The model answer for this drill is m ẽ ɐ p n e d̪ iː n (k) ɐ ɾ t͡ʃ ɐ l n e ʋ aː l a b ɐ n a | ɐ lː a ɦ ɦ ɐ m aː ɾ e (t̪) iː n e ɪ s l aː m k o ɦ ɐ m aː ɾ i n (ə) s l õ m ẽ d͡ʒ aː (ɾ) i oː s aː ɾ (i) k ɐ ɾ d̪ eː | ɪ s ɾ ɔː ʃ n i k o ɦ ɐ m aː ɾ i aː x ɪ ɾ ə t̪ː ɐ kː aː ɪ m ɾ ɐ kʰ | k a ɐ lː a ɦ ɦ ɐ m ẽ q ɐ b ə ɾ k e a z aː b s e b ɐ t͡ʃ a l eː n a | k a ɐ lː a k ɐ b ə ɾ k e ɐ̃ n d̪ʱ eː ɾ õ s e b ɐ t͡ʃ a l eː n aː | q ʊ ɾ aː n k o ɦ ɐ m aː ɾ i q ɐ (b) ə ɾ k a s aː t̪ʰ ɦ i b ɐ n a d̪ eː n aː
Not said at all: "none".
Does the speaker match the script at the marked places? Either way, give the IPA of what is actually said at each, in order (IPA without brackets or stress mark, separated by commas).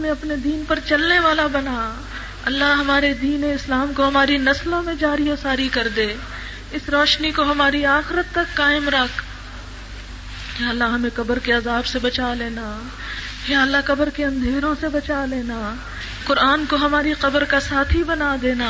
p, d̪, ɐ, ɾ, i, b